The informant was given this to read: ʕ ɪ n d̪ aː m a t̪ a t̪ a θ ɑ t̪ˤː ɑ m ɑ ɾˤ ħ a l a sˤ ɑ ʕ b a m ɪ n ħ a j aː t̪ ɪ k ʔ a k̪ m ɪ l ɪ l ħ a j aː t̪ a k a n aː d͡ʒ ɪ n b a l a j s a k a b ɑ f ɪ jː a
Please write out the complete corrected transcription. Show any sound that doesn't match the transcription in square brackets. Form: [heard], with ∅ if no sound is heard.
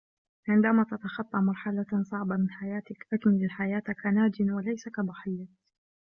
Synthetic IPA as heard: ʕ ɪ n d̪ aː m a t̪ a t̪ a [x] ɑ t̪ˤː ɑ m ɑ ɾˤ ħ a l a sˤ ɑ ʕ b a m ɪ n ħ a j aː t̪ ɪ k ʔ a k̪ m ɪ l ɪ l ħ a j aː t̪ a k a n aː d͡ʒ ɪ n [w] a l a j s a k a b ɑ [ħ] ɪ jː a